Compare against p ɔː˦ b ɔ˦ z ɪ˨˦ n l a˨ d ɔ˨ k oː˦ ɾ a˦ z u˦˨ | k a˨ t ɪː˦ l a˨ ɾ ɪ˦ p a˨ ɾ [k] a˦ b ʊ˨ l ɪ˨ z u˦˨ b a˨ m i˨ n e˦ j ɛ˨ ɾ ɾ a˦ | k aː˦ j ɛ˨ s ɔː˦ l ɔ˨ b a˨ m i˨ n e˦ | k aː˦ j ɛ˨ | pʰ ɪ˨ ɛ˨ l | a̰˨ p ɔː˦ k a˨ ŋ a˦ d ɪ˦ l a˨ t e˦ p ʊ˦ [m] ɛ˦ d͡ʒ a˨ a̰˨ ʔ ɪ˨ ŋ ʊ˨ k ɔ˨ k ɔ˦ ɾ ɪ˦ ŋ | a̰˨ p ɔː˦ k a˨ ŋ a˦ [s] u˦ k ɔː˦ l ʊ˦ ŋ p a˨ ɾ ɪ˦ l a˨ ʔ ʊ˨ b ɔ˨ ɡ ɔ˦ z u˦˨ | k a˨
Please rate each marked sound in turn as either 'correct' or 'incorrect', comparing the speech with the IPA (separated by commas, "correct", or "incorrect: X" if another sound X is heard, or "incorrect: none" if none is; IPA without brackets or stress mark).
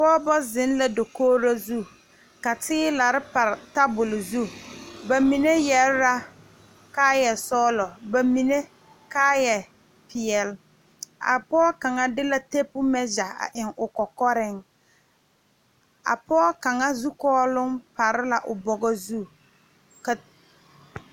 incorrect: t, correct, incorrect: z